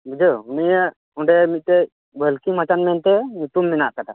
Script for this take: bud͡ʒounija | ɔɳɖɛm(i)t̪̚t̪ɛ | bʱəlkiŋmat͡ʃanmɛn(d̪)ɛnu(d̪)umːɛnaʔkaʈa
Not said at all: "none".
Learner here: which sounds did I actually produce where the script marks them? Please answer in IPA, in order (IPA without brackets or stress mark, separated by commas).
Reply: i, t̪, t̪